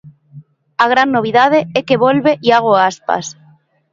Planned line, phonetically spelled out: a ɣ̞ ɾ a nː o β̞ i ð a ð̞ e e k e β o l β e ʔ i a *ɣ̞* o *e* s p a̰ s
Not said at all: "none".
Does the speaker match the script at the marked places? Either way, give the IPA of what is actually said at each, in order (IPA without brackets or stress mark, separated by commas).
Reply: ɣ̞, a